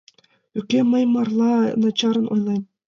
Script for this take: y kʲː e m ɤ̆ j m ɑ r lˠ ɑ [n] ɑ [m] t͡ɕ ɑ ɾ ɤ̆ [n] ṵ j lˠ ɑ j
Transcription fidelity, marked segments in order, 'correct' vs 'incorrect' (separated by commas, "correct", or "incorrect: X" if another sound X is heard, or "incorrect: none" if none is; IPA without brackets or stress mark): correct, incorrect: none, correct